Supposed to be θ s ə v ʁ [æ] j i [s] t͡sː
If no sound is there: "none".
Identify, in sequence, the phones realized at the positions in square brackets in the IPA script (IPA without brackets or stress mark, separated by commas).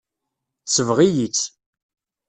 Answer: i, none